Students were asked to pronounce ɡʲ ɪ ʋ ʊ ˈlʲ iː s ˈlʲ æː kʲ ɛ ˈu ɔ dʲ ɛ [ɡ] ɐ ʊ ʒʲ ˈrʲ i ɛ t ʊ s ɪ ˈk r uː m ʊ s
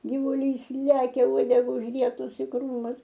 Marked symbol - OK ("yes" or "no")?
yes